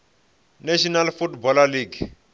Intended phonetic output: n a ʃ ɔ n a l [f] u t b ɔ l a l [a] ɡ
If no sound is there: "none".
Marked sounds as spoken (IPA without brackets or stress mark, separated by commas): f, i